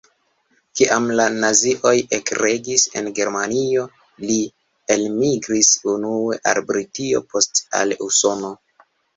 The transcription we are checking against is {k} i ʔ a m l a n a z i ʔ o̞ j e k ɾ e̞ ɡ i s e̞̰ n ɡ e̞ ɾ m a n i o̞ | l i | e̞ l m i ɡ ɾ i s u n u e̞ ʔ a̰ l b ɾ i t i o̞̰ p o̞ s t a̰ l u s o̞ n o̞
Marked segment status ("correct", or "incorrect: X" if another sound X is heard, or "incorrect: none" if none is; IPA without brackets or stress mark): correct